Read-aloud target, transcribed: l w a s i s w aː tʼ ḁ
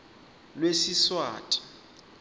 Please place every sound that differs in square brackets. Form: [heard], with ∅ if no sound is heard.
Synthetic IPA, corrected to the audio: l w [e] s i s w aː tʼ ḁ

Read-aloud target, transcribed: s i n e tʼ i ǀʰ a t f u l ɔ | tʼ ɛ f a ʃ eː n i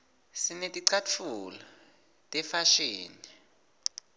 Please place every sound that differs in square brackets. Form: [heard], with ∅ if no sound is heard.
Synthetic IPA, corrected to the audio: s i n e tʼ i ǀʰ a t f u l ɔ | tʼ ɛ f a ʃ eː n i

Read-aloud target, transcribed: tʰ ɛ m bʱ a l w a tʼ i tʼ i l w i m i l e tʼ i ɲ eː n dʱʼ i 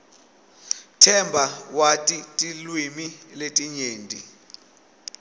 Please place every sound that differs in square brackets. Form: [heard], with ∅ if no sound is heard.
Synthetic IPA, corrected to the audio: tʰ ɛ m bʱ a [∅] w a tʼ i tʼ i l w i m i l e tʼ i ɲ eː n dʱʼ i

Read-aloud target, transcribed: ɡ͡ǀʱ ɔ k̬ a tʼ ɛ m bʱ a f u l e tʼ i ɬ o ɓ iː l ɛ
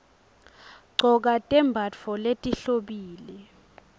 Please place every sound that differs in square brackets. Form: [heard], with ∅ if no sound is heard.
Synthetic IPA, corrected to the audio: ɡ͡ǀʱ ɔ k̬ a tʼ ɛ m bʱ a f [ɔ] l e tʼ i ɬ o ɓ iː l ɛ

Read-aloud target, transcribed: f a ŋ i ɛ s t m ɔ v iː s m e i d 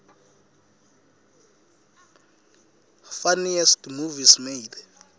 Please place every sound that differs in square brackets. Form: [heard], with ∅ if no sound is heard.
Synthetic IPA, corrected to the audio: f a [n] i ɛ s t m [u] v [i] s m e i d

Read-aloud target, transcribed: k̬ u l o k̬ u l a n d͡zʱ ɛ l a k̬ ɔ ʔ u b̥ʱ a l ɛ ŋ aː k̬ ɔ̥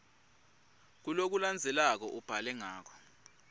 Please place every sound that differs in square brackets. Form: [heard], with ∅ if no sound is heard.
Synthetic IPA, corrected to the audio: k̬ u l o k̬ u l a n d͡zʱ ɛ l a k̬ ɔ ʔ u b̥ʱ a l ɛ ŋ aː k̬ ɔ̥

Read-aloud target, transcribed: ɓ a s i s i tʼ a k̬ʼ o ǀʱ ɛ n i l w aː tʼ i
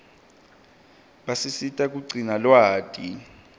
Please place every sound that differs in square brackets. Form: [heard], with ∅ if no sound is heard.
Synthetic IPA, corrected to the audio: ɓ a s i s i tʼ a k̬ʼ [u] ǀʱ [i] n [a] l w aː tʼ i

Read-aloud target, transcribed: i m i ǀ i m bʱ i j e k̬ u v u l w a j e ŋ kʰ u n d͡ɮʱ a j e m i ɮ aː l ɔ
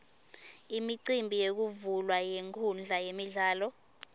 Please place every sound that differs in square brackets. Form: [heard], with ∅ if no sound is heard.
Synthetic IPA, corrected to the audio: i m i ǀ i m bʱ i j e k̬ u v u l w a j e ŋ kʰ u n d͡ɮʱ a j e m i ɮ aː l ɔ

